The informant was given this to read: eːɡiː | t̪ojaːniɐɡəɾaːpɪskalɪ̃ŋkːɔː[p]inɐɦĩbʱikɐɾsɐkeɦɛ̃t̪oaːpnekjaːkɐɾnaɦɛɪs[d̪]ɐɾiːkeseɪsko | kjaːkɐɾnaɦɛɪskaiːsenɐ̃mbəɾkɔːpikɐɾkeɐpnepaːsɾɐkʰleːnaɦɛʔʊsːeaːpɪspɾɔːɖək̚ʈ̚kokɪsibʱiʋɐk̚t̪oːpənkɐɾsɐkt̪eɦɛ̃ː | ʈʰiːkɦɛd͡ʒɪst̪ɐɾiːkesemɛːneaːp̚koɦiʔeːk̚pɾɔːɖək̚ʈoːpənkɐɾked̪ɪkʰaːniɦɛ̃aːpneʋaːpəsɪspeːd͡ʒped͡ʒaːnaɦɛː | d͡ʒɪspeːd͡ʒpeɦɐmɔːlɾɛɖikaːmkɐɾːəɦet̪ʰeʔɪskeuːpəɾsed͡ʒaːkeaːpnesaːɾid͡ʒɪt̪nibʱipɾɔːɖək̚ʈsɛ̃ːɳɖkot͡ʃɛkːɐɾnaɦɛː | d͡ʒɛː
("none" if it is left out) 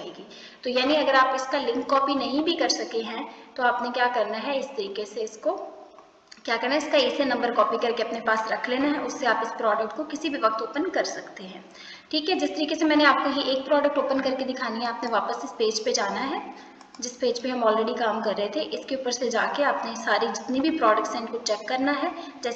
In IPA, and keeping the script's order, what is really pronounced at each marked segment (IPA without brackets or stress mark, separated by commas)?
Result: p, t̪